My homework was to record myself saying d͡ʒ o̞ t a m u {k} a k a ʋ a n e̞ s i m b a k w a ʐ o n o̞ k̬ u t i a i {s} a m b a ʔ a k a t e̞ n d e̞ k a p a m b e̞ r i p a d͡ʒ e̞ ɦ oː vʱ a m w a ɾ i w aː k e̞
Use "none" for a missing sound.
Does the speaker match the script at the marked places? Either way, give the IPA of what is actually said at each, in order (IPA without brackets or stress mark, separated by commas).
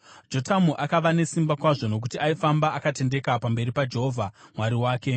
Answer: ʔ, f